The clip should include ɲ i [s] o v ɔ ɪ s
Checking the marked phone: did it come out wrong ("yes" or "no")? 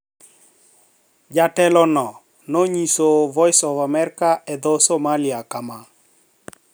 no